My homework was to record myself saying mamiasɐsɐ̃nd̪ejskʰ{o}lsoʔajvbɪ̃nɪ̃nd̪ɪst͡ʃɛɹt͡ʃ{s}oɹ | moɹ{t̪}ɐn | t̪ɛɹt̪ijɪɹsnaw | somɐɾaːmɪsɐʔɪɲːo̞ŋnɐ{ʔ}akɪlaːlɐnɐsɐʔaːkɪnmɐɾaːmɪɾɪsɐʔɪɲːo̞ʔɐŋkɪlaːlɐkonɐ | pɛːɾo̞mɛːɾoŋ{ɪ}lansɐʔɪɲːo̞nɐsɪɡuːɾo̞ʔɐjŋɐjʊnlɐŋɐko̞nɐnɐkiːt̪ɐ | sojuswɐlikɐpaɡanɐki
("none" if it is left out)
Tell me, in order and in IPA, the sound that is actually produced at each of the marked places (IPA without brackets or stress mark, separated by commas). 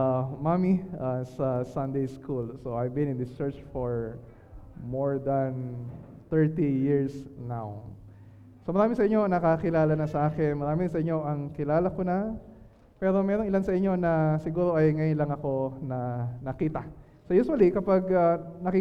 u, f, d̪, k, ɪ